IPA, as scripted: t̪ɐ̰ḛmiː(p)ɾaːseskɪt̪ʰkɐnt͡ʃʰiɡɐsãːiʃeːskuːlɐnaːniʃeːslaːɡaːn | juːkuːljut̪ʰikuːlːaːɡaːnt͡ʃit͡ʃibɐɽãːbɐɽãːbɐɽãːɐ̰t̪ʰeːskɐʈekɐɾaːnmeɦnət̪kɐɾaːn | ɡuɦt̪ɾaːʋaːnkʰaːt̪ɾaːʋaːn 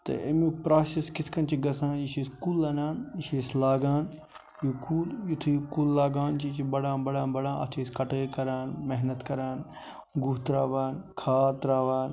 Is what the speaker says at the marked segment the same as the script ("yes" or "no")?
yes